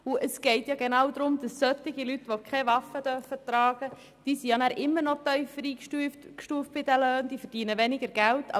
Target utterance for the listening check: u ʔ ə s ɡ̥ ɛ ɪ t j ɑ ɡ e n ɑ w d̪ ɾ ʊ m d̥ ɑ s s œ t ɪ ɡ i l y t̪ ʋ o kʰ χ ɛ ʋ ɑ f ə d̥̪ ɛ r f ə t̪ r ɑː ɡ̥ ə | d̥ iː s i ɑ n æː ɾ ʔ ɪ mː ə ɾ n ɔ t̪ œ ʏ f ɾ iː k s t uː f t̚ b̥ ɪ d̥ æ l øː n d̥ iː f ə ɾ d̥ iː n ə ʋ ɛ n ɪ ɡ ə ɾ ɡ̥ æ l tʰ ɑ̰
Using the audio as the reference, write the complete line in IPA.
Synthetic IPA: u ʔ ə s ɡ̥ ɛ ɪ t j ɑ ɡ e n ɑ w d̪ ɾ ʊ m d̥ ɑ s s œ t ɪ ɡ i l y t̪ ʋ o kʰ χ ɛ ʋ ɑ f ə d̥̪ œ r f ə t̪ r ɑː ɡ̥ ə | d̥ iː s i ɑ n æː ɾ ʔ ɪ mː ə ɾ n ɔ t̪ œ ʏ f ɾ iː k ʃ t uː f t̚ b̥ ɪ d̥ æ l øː n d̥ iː f ə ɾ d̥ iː n ə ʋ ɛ n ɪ ɡ ə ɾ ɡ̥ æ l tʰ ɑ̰